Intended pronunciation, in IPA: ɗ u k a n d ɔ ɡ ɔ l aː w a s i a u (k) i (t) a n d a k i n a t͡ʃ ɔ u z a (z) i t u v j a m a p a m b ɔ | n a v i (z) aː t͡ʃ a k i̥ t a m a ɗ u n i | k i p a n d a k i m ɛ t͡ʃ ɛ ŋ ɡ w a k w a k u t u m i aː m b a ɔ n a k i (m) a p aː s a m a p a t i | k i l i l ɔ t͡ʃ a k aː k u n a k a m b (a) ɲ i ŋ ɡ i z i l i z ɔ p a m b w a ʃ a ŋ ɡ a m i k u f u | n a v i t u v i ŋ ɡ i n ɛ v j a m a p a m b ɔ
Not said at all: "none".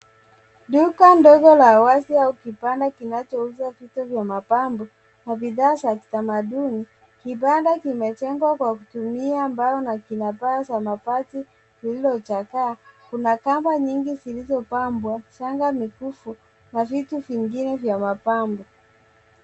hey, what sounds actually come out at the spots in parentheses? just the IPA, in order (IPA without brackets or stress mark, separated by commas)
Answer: k, p, v, ð, n, a